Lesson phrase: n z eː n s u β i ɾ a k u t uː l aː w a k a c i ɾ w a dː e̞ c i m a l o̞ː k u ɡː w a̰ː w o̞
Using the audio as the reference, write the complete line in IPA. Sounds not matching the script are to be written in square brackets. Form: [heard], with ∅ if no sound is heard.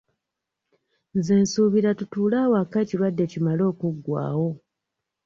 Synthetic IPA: n z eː n s u β i ɾ a [t] u t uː l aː w a k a c i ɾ w a dː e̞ c i m a l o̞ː k u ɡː w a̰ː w o̞